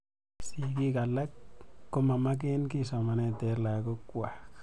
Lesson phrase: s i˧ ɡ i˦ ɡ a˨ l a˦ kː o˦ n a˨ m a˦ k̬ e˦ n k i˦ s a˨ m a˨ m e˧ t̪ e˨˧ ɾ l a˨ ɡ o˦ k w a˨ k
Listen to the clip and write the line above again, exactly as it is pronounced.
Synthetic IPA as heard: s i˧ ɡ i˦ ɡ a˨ l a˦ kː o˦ m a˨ m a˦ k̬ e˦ n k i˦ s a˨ m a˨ n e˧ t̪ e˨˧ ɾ l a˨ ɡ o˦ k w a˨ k